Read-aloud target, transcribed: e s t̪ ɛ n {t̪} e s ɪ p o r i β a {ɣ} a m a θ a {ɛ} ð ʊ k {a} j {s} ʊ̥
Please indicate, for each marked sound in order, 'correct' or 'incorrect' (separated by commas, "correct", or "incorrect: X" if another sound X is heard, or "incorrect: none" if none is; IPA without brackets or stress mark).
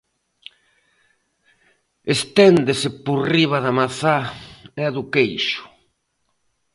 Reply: incorrect: d̪, incorrect: ð, correct, incorrect: e, incorrect: ʃ